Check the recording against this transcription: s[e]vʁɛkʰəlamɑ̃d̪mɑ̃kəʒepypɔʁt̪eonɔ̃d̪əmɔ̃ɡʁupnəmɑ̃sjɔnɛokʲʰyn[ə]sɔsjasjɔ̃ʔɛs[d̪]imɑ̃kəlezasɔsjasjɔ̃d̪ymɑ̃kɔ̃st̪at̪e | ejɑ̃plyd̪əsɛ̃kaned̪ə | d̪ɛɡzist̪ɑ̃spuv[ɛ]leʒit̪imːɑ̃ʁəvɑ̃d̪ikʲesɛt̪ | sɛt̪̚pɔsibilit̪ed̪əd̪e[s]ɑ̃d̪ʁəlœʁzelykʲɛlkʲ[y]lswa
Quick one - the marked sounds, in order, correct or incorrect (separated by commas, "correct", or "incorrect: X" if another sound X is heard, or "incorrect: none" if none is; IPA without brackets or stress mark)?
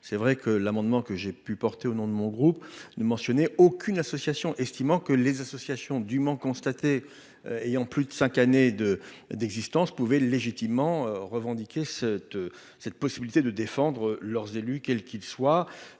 incorrect: ɛ, incorrect: a, incorrect: t̪, correct, incorrect: f, incorrect: i